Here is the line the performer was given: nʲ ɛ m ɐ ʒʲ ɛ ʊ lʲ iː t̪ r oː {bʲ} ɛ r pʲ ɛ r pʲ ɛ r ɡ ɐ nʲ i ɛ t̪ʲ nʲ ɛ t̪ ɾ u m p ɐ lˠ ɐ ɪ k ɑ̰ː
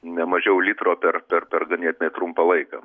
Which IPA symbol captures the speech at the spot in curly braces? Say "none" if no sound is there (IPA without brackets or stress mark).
pʲ